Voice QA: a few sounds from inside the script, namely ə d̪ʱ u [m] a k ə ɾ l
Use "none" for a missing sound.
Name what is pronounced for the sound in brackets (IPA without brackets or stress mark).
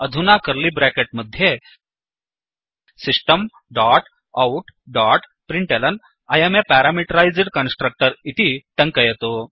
n